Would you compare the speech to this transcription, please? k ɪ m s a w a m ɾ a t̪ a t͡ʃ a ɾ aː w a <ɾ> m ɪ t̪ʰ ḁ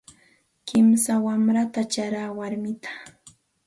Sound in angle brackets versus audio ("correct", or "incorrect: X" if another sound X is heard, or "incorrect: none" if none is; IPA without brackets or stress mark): correct